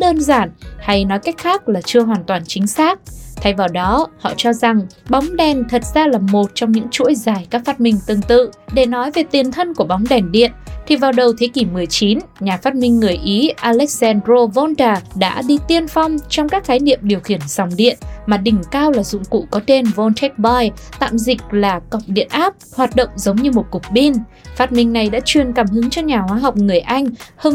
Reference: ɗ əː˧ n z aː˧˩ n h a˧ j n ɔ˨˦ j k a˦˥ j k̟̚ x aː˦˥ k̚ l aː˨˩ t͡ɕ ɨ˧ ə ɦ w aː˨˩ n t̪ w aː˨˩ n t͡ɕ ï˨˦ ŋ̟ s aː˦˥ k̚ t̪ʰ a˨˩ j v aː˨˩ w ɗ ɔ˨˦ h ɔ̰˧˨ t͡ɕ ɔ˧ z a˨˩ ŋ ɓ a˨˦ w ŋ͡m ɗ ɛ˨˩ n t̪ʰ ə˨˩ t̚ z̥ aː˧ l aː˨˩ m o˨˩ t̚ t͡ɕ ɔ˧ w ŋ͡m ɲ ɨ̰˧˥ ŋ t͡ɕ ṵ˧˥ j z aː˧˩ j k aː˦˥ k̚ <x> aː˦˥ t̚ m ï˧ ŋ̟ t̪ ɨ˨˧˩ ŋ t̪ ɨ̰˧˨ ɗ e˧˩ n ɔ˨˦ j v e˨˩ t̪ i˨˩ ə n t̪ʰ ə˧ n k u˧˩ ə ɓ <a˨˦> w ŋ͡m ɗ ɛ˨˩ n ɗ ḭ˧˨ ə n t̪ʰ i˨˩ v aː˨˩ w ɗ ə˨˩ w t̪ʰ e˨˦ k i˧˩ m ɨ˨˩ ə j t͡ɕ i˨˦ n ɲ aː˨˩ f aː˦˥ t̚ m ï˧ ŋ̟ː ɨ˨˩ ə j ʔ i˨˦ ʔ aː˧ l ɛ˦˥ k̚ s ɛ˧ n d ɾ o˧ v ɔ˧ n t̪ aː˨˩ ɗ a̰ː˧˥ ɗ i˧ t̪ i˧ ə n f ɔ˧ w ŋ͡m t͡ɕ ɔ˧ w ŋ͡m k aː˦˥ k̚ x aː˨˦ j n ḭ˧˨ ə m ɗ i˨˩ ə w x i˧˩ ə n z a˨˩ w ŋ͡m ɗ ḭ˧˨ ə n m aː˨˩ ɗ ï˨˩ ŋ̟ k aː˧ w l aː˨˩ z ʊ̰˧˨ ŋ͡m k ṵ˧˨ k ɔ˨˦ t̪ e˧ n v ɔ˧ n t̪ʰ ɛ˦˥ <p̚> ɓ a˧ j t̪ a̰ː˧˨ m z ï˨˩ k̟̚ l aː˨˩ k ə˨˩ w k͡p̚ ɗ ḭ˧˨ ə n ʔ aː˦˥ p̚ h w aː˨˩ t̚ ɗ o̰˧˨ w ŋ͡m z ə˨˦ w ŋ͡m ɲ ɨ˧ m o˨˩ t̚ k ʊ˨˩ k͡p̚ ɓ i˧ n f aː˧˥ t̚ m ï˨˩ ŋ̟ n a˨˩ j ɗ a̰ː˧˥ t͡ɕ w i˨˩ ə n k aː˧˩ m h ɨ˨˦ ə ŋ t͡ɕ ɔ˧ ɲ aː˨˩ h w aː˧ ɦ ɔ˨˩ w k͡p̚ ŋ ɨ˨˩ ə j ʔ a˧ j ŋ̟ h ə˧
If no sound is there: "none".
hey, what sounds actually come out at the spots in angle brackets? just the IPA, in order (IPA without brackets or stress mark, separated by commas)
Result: f, a˨˦, k̚